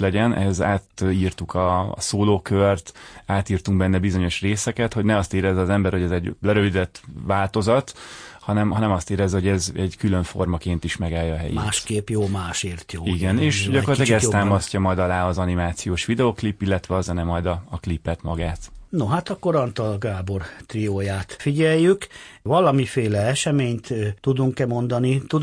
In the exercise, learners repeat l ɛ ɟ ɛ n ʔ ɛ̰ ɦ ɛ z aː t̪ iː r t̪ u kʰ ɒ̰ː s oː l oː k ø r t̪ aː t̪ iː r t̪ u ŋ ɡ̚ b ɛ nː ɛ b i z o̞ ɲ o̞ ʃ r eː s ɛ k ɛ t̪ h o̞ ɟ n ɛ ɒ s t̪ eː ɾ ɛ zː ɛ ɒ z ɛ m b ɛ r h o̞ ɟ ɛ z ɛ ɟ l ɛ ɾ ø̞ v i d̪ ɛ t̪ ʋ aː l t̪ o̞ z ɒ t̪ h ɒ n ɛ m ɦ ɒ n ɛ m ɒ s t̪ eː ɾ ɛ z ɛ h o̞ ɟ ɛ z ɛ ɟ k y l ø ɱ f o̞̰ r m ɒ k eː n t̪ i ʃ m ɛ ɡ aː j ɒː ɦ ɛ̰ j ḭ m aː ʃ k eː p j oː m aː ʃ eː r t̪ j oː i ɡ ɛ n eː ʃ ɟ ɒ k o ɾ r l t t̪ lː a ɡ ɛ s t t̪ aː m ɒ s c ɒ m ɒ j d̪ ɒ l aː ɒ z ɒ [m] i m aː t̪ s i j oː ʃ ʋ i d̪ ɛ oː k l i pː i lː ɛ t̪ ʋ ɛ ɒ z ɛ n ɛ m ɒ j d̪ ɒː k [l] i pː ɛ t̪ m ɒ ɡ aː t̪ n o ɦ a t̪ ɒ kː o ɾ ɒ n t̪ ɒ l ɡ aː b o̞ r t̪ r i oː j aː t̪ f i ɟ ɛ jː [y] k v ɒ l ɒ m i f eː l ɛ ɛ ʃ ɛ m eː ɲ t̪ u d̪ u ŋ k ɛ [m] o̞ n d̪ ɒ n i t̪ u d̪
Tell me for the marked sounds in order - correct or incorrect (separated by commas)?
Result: incorrect, correct, correct, correct